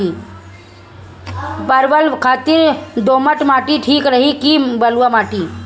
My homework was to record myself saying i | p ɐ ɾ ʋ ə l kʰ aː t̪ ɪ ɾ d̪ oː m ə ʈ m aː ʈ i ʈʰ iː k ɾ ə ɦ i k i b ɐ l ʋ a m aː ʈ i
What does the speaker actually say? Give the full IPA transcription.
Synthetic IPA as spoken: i | p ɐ ɾ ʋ ə l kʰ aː t̪ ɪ ɾ d̪ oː m ə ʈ m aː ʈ i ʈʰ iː k ɾ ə ɦ i k i b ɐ l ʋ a m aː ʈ i